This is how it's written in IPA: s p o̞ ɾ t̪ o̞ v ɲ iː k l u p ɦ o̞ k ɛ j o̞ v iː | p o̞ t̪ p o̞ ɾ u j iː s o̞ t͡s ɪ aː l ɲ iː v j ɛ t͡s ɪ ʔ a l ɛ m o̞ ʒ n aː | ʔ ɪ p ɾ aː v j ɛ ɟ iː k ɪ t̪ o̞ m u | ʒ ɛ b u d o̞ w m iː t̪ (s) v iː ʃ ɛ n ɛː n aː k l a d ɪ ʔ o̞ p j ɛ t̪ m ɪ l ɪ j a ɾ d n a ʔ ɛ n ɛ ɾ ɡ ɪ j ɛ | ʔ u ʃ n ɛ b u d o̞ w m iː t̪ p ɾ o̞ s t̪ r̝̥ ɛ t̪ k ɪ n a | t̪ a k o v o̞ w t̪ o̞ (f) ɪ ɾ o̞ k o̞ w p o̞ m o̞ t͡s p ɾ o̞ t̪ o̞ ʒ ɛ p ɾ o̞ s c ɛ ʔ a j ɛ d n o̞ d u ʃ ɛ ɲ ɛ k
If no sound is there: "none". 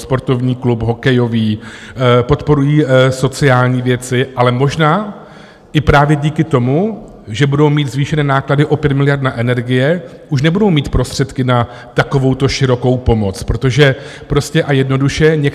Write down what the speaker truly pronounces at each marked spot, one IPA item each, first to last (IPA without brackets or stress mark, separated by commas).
z, ʃ